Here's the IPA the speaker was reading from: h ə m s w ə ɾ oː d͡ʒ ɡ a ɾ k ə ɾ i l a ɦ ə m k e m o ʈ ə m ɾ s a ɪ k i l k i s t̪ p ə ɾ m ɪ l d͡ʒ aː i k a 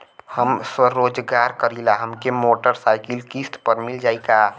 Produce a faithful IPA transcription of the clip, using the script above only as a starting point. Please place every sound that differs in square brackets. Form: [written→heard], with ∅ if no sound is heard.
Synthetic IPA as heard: h ə m s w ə ɾ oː d͡ʒ ɡ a ɾ k ə ɾ i l a ɦ ə m k e m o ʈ ə [m→∅] ɾ s a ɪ k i l k i s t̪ p ə ɾ m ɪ l d͡ʒ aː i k a